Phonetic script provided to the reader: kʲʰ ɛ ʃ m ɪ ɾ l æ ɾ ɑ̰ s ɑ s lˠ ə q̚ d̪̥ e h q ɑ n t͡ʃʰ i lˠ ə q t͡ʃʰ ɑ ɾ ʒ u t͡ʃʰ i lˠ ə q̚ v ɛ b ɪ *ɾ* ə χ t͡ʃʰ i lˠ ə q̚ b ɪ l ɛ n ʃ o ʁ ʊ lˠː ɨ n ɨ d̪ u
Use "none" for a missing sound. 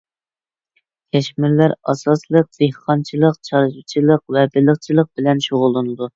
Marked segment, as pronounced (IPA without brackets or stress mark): l